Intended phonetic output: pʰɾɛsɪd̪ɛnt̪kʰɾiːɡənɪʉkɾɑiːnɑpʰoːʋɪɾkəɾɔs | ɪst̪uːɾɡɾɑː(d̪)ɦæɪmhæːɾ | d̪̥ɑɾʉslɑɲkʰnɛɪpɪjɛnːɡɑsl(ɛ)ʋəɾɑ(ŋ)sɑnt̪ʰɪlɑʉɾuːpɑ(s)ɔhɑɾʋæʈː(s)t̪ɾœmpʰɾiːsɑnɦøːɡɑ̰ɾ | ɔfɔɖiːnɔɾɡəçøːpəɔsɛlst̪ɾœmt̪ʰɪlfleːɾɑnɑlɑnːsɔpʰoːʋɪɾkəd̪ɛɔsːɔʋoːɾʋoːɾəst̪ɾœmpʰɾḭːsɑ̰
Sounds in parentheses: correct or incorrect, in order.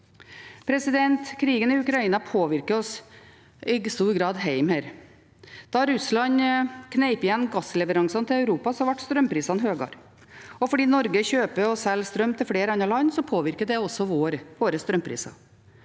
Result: correct, correct, correct, correct, correct

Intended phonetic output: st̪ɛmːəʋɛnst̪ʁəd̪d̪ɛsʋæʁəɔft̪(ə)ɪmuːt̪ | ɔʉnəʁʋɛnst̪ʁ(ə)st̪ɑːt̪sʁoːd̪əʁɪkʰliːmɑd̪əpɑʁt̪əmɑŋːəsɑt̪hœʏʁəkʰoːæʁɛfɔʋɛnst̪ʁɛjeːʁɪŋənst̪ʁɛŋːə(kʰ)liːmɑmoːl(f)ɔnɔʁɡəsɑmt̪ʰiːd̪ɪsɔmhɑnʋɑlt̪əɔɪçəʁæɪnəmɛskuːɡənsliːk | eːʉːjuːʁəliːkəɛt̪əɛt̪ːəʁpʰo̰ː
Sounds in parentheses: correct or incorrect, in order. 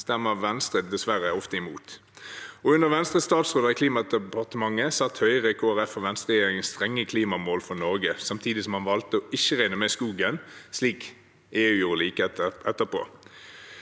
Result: correct, correct, correct, correct

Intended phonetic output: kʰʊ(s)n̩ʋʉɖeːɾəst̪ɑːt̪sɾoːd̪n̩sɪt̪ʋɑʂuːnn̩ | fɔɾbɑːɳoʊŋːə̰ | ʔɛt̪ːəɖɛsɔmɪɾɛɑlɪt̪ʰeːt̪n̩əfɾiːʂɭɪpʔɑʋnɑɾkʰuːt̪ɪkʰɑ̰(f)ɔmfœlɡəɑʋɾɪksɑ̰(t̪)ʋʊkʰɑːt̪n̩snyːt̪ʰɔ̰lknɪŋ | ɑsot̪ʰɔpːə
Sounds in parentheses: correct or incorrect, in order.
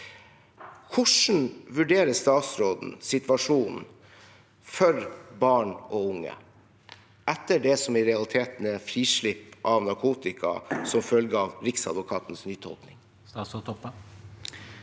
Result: incorrect, incorrect, incorrect

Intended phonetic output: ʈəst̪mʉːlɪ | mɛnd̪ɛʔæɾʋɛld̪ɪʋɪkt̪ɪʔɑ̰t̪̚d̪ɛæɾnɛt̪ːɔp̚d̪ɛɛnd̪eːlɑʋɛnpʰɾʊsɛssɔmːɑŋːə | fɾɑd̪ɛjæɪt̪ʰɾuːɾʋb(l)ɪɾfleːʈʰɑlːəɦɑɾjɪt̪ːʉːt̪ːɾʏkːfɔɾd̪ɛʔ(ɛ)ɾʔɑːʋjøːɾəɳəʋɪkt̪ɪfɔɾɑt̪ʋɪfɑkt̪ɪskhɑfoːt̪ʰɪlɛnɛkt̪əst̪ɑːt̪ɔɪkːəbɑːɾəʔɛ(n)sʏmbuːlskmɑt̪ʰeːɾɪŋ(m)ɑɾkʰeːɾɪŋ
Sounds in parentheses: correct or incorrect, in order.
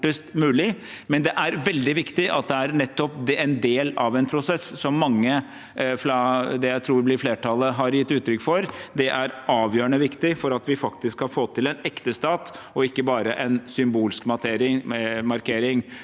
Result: correct, incorrect, correct, correct

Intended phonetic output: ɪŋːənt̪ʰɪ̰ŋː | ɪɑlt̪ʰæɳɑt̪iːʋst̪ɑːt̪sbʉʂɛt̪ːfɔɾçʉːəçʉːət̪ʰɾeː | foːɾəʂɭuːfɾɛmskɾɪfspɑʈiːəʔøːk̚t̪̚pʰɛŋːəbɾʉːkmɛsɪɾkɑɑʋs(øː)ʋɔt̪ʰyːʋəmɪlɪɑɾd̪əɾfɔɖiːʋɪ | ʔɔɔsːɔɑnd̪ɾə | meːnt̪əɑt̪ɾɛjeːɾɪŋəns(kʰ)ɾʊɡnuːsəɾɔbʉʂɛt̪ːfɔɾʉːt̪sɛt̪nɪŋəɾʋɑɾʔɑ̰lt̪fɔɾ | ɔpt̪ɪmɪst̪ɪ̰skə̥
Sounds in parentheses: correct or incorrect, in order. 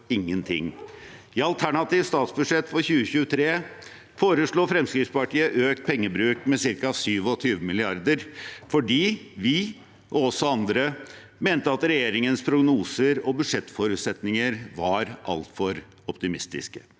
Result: incorrect, incorrect

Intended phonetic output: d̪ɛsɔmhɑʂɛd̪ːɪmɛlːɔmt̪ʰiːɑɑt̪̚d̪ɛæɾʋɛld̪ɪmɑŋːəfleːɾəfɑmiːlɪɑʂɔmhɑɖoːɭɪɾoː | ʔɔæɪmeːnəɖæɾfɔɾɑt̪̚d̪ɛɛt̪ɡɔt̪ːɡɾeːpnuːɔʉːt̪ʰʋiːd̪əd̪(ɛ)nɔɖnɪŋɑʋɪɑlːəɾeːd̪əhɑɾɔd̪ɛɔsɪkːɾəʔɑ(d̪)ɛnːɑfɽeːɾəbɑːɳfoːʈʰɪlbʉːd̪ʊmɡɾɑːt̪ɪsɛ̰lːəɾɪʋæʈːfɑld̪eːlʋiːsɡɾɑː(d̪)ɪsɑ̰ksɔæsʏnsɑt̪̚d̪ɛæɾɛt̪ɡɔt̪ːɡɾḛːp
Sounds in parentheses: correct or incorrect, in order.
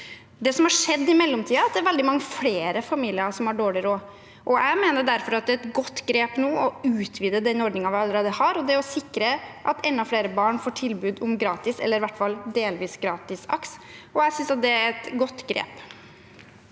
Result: correct, incorrect, incorrect

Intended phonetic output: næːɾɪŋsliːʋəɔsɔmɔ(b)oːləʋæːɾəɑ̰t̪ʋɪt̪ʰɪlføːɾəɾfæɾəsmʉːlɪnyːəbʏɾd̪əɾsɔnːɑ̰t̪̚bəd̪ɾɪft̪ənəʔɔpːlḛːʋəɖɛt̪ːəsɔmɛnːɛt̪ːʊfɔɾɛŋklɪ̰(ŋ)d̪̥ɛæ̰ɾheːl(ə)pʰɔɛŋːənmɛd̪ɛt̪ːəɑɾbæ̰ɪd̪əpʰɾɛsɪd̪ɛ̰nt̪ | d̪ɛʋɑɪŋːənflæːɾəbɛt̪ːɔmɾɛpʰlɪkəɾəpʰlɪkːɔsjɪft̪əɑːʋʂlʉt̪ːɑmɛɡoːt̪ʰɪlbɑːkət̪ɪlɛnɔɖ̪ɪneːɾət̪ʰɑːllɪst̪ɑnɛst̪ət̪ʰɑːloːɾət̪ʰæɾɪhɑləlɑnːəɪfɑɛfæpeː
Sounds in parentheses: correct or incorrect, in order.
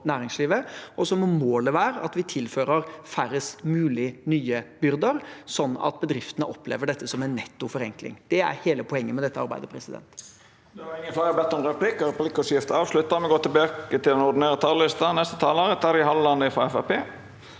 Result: incorrect, correct, correct

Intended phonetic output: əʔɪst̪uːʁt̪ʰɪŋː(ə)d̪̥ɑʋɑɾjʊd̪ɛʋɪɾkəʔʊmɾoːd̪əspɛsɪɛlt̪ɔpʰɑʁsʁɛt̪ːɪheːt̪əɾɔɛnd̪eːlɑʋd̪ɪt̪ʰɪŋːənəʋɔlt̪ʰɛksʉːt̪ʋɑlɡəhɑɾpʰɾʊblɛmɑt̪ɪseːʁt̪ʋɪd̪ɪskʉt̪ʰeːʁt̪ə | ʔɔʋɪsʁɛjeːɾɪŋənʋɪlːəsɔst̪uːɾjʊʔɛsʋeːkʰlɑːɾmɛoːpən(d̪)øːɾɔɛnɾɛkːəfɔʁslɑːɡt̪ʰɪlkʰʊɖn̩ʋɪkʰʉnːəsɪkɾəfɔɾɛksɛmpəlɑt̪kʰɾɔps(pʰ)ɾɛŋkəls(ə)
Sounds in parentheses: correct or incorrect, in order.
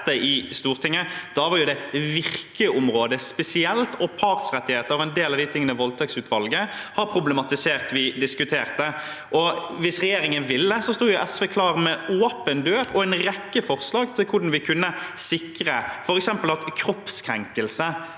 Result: correct, correct, incorrect, correct

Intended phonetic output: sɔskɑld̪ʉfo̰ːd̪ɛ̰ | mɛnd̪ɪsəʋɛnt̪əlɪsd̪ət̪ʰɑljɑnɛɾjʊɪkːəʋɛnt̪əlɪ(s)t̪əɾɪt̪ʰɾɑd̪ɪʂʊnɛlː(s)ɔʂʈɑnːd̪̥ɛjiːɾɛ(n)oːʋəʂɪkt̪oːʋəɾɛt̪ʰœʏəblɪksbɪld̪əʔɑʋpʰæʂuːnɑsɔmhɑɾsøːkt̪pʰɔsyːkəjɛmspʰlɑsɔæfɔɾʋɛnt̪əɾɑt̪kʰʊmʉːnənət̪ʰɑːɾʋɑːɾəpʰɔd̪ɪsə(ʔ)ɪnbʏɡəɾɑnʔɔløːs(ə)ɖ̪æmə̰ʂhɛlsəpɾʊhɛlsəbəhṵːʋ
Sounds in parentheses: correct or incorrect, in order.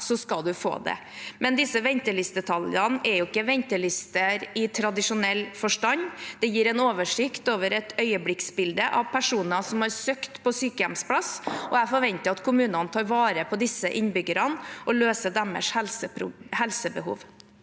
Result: correct, incorrect, correct, correct, correct

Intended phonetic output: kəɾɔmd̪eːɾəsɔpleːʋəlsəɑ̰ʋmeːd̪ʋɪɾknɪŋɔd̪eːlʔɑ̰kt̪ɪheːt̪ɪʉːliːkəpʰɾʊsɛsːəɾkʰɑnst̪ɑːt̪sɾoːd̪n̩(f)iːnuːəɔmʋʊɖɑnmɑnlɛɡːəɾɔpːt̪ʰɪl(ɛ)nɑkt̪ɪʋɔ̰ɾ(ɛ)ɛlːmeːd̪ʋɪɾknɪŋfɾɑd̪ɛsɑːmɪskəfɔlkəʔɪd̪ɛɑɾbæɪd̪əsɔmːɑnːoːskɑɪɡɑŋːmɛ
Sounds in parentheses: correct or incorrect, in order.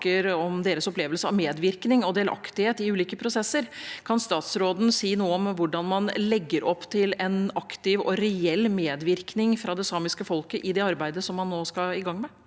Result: incorrect, correct, correct

